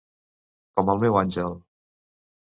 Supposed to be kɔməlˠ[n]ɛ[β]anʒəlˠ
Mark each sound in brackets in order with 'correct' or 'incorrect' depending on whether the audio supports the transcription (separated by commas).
incorrect, incorrect